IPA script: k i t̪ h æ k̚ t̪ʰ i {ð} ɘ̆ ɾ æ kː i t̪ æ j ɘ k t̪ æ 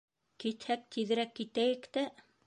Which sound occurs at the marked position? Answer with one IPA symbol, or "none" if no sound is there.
ð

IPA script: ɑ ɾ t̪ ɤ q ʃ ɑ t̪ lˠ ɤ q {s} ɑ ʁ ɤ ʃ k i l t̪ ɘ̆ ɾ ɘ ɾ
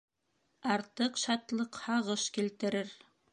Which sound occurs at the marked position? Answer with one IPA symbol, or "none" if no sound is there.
h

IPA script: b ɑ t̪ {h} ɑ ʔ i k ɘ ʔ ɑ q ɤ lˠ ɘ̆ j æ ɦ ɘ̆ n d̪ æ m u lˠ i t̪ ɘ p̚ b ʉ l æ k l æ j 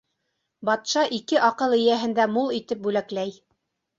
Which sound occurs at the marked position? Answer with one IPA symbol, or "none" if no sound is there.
ʃ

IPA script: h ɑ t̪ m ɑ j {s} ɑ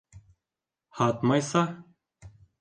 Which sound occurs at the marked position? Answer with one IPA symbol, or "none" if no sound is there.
s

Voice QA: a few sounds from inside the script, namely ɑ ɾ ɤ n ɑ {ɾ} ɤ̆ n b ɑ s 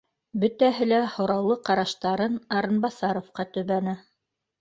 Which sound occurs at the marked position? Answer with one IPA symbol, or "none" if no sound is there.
ɾ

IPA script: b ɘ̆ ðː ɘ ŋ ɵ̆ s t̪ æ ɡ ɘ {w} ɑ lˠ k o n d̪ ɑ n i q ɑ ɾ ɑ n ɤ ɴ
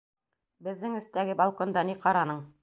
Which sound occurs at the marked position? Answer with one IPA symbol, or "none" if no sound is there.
b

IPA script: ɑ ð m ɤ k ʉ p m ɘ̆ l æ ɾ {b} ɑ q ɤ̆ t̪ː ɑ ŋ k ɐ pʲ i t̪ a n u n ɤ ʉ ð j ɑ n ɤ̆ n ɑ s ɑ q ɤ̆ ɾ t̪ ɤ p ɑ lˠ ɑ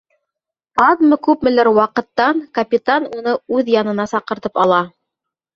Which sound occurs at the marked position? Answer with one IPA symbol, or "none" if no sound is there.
w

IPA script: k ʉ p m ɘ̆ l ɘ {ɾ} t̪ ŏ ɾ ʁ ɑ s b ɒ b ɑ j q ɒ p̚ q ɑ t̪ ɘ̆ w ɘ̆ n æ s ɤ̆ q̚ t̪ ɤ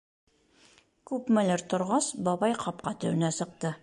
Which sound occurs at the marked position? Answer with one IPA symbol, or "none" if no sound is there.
ɾ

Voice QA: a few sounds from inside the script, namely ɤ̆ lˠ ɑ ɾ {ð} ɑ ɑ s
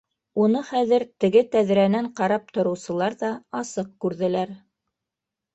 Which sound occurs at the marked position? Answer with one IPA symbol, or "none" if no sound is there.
ð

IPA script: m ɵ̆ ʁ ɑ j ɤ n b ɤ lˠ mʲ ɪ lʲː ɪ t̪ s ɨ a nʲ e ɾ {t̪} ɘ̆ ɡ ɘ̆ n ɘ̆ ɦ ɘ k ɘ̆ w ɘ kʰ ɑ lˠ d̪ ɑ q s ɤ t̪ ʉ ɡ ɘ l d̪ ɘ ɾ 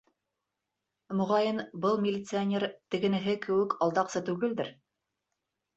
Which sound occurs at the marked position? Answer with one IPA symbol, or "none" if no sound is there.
t̪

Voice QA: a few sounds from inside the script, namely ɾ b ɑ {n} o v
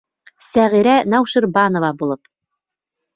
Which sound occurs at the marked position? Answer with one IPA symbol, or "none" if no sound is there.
n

